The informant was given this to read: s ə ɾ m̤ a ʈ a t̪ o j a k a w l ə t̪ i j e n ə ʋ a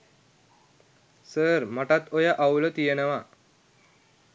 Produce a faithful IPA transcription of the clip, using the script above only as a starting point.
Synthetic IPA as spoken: s ə ɾ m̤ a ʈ a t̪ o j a ʔ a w l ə t̪ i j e n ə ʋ a